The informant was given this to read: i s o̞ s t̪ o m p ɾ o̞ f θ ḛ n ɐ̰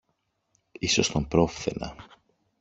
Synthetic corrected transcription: i s o̞ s t̪ o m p ɾ o̞ f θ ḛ n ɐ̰

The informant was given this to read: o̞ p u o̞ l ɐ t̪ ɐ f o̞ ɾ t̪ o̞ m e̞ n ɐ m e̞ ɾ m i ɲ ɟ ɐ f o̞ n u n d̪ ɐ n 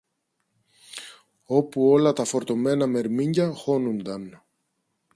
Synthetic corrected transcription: o̞ p u o̞ l ɐ t̪ ɐ f o̞ ɾ t̪ o̞ m e̞ n ɐ m e̞ ɾ m i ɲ ɟ ɐ x o̞ n u n d̪ ɐ n

